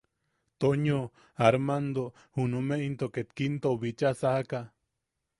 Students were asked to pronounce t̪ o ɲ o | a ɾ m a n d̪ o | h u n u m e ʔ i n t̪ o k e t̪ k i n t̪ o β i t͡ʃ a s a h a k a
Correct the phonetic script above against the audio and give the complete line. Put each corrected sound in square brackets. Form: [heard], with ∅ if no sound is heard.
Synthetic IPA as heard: t̪ o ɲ o | a ɾ m a n d̪ o | h u n u m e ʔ i n t̪ o k e t̪ k i n t̪ o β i t͡ʃ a s a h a k a